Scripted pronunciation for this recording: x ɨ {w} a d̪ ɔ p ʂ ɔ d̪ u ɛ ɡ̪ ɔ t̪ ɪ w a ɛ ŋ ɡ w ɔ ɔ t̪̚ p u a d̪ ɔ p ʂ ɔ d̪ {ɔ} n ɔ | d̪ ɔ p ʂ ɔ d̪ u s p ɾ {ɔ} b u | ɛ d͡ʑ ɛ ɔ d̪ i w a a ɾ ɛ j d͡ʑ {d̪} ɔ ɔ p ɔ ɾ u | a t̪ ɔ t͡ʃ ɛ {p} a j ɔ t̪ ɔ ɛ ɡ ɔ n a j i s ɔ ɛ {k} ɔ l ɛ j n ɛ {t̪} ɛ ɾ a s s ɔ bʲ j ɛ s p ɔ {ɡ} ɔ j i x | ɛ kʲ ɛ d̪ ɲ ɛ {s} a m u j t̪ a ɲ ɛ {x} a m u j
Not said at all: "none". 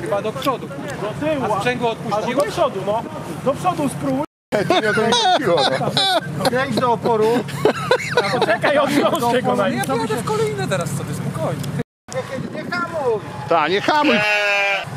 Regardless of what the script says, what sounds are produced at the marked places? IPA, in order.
b, u, u, d̪, k, k, t̪, k, x, x

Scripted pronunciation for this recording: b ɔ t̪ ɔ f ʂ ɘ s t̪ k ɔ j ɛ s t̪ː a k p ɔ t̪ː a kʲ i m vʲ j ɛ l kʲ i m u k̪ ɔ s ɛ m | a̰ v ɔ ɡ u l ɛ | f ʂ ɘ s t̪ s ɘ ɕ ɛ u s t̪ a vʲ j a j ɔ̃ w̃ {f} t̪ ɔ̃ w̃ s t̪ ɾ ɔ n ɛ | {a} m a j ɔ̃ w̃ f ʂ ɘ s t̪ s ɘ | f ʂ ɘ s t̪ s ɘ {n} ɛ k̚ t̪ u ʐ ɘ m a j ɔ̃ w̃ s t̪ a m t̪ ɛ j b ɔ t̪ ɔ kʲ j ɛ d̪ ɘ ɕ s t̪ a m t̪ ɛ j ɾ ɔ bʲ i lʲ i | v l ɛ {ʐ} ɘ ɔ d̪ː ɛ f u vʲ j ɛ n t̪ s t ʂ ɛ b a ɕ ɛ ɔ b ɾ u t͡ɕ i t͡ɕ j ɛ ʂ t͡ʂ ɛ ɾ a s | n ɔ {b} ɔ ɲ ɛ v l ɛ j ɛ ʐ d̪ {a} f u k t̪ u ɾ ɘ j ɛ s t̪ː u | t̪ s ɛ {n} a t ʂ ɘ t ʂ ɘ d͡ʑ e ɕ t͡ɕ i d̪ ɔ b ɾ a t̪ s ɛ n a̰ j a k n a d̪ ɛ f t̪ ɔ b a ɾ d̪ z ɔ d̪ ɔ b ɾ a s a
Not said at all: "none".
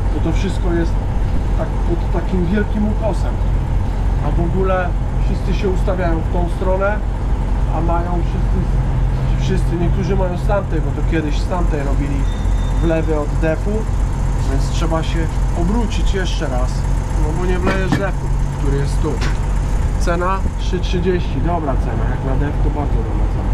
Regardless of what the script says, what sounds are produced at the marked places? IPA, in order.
f, a, ɲ, v, b, ɛ, n

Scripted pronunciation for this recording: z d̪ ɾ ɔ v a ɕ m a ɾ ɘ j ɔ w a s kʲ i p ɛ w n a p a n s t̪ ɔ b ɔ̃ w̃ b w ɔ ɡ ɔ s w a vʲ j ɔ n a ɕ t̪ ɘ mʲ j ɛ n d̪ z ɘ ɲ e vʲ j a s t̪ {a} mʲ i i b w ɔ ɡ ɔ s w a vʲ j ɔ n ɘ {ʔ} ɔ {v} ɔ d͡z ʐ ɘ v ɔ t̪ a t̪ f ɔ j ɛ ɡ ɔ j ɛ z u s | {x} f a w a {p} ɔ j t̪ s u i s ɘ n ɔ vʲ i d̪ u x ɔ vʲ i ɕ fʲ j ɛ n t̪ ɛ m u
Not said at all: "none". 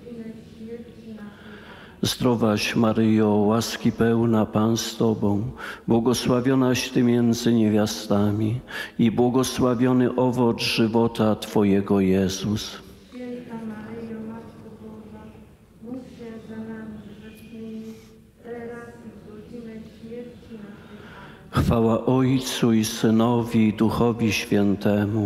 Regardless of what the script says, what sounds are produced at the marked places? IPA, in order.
a, ʔ, v, x, ʔ

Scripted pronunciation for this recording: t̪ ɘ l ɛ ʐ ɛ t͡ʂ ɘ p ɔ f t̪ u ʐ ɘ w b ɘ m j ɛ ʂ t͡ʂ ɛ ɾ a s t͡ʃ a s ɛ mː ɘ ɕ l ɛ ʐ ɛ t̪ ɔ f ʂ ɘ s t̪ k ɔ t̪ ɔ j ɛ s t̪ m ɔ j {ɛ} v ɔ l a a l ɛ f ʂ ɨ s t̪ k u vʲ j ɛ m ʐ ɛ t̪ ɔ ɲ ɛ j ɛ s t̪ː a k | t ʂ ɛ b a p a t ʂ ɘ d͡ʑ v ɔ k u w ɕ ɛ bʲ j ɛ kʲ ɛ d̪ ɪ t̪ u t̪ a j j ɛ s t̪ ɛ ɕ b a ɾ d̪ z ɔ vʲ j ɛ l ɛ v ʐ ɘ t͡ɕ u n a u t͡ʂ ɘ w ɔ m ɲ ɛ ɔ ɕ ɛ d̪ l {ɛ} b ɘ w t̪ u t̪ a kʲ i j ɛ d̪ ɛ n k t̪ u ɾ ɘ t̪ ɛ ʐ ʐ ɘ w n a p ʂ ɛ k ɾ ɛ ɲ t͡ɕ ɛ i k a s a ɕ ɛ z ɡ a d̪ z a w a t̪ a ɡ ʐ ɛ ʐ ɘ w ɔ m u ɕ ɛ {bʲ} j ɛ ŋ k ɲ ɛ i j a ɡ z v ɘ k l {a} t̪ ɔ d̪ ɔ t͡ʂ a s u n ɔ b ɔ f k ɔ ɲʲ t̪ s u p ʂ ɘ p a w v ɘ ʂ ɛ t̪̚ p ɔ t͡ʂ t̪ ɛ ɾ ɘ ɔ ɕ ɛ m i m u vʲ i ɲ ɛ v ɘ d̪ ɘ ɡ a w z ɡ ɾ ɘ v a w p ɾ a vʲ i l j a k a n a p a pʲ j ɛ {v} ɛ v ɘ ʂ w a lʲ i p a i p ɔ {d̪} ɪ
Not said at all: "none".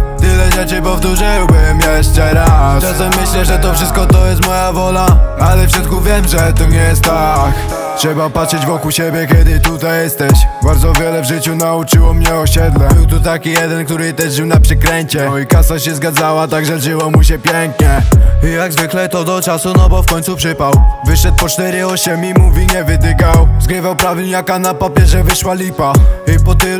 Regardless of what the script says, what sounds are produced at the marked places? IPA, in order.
a, ɛ, pʲ, ɛ, ʐ, t̪

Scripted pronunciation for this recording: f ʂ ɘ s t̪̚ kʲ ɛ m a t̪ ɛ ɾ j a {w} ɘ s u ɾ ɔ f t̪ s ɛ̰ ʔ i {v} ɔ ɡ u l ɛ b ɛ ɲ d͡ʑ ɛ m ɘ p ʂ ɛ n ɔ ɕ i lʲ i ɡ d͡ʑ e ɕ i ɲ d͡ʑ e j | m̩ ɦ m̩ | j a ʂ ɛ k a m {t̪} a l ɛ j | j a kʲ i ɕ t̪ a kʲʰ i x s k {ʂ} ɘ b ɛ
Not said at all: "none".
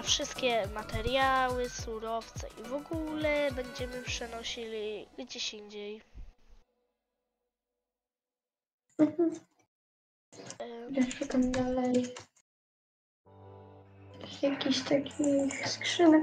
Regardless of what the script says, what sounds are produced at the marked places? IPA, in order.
w, v, d̪, ʂ

